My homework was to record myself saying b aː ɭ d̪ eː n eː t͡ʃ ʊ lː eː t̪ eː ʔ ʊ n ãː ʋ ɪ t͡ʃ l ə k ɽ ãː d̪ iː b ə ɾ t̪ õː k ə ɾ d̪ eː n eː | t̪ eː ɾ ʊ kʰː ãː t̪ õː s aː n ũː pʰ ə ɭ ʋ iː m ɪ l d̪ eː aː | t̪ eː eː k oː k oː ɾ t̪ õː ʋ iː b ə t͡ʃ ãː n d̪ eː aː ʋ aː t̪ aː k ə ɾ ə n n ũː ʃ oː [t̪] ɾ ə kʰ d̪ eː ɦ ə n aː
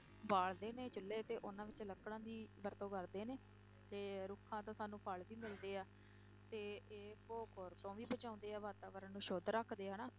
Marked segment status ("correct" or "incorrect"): incorrect